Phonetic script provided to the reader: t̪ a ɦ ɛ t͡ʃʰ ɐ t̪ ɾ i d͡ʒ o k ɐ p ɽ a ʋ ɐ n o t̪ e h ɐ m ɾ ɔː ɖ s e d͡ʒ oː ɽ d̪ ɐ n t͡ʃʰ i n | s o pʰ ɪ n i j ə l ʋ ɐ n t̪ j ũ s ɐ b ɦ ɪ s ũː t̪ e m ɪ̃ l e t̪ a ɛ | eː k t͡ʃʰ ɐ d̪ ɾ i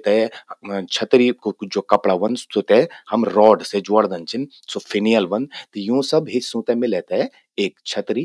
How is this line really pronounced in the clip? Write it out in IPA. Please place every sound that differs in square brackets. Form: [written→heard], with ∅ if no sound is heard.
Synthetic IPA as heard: t̪ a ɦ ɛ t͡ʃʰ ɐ t̪ ɾ i d͡ʒ o k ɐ p ɽ a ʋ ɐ n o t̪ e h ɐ m ɾ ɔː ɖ s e d͡ʒ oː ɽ d̪ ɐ n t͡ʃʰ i n | s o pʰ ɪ n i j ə l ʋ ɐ n t̪ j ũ s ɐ b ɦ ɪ s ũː t̪ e m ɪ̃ l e t̪ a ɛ | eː k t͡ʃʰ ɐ [d̪→t̪] ɾ i